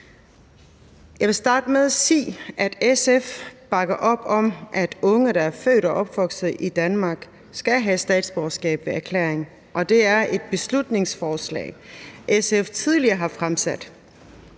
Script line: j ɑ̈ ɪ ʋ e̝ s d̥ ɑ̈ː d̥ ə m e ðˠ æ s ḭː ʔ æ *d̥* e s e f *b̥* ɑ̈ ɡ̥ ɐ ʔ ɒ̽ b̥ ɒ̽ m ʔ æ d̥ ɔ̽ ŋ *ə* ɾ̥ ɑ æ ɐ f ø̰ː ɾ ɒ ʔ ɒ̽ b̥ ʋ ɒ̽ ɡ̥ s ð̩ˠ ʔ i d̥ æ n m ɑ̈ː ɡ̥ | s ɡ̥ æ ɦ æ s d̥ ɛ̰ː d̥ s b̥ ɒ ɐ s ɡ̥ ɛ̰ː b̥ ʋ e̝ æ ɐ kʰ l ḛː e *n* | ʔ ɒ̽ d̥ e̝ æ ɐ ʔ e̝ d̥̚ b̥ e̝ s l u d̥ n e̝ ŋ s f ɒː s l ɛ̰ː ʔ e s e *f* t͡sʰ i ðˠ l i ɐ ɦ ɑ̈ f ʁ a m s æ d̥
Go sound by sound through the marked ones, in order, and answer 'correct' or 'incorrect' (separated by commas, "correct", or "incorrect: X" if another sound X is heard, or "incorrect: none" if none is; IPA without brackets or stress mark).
correct, correct, correct, incorrect: ŋ, correct